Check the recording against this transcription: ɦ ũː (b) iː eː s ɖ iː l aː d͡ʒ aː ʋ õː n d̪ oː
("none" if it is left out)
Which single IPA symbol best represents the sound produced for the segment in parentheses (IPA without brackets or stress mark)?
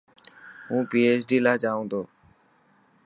p